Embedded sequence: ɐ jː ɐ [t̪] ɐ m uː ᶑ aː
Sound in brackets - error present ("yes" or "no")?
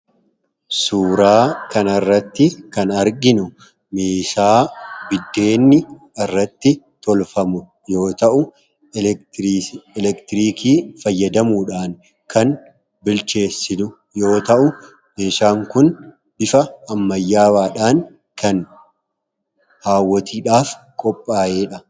yes